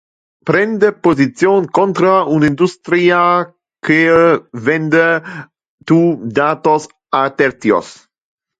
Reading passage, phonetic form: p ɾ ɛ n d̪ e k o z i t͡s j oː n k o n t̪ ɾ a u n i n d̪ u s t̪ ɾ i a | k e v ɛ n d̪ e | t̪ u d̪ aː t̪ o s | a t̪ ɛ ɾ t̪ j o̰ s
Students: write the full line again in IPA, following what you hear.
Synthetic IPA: p ɾ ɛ n d̪ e p o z i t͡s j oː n k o n t̪ ɾ a u n i n d̪ u s t̪ ɾ i a | k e v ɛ n d̪ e | t̪ u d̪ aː t̪ o s | a t̪ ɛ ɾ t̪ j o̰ s